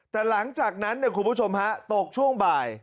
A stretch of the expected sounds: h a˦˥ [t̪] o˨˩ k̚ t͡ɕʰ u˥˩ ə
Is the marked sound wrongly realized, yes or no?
no